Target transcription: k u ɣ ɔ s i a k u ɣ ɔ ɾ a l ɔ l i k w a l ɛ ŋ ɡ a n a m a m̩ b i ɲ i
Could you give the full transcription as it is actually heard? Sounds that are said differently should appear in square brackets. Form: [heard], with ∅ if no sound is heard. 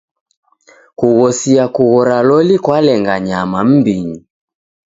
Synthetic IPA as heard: k u ɣ ɔ s i a k u ɣ ɔ ɾ a l ɔ l i k w a l ɛ ŋ ɡ a [ɲ] a m a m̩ b i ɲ i